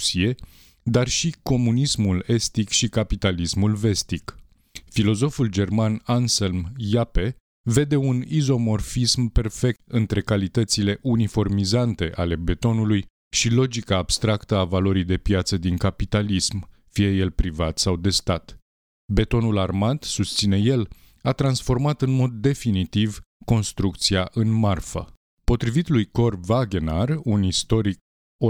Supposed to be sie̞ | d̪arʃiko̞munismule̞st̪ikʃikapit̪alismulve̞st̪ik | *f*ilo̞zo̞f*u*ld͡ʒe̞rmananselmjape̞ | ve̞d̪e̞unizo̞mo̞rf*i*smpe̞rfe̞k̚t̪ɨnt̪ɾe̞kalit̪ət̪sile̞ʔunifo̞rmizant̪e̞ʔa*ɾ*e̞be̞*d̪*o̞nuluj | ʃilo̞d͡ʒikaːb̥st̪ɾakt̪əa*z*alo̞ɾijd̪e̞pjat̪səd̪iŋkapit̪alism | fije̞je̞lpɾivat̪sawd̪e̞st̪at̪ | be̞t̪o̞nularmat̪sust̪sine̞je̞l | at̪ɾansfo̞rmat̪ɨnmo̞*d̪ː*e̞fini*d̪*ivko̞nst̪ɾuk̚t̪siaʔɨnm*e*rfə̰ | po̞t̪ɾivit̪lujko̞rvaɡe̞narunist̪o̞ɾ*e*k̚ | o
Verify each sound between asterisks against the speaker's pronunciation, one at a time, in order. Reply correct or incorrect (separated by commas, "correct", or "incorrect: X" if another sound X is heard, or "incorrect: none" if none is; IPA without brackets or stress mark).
correct, correct, correct, incorrect: l, incorrect: t̪, incorrect: v, correct, incorrect: t̪, incorrect: a, incorrect: i